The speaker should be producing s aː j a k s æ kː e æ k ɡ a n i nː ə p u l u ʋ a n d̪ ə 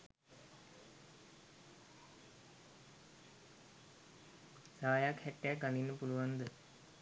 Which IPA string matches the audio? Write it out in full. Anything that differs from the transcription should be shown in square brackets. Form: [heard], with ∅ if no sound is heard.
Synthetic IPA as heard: s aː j a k [h] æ [ʈː] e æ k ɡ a n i nː ə p u l u ʋ a n d̪ ə